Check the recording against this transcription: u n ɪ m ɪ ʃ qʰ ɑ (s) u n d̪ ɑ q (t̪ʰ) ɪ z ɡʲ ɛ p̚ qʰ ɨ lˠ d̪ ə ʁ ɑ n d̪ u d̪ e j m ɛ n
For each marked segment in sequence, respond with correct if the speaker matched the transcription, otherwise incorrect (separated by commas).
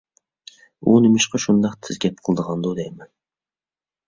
incorrect, correct